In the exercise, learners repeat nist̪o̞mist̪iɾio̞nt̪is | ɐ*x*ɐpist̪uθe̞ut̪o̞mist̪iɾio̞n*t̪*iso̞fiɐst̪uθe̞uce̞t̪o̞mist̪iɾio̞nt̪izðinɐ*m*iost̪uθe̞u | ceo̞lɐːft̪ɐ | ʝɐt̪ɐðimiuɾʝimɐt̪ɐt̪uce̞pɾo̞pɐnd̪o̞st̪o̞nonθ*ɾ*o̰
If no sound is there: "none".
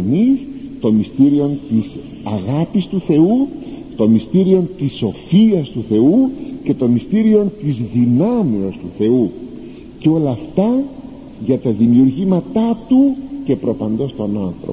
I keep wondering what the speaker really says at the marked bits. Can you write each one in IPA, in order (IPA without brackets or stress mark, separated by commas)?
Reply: ɣ, t̪, m, ɾ